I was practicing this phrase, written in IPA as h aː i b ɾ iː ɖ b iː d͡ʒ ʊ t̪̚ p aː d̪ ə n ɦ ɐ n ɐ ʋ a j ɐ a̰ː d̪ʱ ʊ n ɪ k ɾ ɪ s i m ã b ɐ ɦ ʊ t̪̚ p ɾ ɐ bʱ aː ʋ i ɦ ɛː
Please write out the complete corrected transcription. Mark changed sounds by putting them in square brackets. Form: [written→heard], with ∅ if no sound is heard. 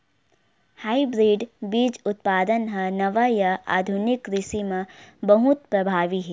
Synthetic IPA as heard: h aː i b ɾ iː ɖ b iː d͡ʒ ʊ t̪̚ p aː d̪ ə n ɦ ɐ n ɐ ʋ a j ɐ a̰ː d̪ʱ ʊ n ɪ k ɾ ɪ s i m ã b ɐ ɦ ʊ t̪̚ p ɾ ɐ bʱ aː ʋ i ɦ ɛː